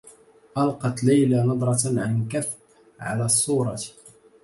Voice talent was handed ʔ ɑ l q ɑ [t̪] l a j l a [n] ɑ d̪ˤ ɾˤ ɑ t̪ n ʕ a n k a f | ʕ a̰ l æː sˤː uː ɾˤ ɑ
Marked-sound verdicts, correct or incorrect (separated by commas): correct, correct